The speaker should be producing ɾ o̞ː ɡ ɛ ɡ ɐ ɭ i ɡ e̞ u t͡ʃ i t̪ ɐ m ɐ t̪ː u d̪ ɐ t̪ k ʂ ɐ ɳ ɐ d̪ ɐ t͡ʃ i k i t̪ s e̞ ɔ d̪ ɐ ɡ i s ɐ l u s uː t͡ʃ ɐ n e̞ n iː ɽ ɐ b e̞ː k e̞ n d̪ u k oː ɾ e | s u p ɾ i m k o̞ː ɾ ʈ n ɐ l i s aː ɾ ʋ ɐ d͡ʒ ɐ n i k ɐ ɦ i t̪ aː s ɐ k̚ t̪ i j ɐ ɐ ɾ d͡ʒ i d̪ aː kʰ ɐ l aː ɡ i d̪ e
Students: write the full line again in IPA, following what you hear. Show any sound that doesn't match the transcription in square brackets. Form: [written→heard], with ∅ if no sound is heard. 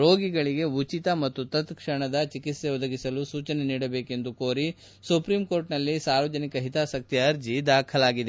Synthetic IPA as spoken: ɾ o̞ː ɡ [ɛ→i] ɡ ɐ ɭ i ɡ e̞ u t͡ʃ i t̪ ɐ m ɐ t̪ː u [d̪→t̪] ɐ t̪ k ʂ ɐ ɳ ɐ d̪ ɐ t͡ʃ i k i t̪ s e̞ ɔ d̪ ɐ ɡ i s ɐ l u s uː t͡ʃ ɐ n e̞ n iː ɽ ɐ b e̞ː k e̞ n d̪ u k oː ɾ [e→i] | s u p ɾ i m k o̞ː ɾ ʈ n ɐ [l→lː] i s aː ɾ ʋ ɐ d͡ʒ ɐ n i k ɐ ɦ i t̪ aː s ɐ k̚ t̪ i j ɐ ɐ ɾ d͡ʒ i d̪ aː kʰ ɐ l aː ɡ i d̪ e